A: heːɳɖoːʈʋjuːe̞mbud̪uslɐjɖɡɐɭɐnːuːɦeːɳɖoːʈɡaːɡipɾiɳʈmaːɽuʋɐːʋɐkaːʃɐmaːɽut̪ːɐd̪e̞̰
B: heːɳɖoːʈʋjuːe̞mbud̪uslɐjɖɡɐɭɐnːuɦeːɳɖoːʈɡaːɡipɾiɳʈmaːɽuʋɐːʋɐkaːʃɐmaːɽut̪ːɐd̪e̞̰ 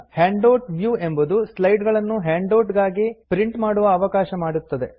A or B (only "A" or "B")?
B